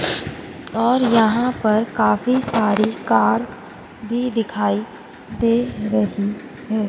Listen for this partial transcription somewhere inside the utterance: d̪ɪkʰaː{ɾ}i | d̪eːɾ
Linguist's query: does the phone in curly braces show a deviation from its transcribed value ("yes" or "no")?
yes